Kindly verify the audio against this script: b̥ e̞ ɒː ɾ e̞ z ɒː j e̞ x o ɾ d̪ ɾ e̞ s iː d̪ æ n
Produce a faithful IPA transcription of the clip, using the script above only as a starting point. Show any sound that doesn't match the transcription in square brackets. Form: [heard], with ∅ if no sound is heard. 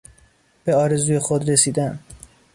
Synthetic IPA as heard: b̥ e̞ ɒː ɾ e̞ z [uː] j e̞ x o [∅] d̪ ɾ e̞ s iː d̪ æ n